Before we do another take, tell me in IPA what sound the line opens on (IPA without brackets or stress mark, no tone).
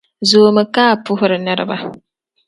z